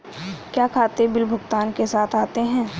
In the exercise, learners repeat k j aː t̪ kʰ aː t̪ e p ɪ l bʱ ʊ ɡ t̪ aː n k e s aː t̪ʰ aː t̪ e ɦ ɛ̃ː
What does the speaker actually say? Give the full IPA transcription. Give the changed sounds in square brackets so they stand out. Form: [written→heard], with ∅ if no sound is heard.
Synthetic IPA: k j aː [t̪→∅] kʰ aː t̪ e [p→b] ɪ l bʱ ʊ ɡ t̪ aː n k e s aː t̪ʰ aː t̪ e ɦ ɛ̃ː